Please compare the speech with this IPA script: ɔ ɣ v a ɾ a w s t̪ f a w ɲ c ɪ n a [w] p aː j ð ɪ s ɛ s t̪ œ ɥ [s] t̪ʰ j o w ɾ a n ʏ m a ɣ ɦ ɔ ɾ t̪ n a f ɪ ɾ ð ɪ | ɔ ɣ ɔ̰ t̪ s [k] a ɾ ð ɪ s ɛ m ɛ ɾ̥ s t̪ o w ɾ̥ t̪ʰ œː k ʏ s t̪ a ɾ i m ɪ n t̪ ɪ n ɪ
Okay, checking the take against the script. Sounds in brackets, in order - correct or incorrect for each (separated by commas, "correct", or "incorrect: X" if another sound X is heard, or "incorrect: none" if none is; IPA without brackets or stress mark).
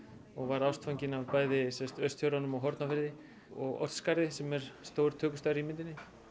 incorrect: v, correct, correct